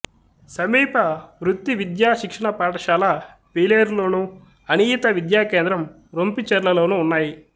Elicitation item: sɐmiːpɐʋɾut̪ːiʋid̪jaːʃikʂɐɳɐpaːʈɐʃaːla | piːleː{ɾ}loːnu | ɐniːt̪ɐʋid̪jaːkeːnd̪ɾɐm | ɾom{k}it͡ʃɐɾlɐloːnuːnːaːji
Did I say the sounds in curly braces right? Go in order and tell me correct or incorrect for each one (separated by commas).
correct, incorrect